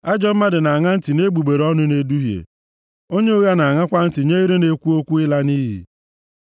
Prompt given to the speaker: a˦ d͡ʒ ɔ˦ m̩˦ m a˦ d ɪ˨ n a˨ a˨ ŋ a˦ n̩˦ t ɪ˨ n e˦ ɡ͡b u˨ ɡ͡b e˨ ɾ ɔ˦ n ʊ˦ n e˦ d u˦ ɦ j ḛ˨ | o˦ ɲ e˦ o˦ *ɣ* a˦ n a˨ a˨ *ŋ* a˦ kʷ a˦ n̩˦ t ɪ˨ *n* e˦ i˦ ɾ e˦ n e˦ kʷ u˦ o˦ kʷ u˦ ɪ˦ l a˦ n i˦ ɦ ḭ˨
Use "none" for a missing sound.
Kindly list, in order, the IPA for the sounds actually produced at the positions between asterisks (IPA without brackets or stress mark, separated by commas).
ɣ, ŋ, ɲ